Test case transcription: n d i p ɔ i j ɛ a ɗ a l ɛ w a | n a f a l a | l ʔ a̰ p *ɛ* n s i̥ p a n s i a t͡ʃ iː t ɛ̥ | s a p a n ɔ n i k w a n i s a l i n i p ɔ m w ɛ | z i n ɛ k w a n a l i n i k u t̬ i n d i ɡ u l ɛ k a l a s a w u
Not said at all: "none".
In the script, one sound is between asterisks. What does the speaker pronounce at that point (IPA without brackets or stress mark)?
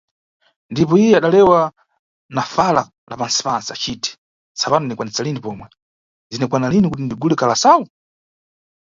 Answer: a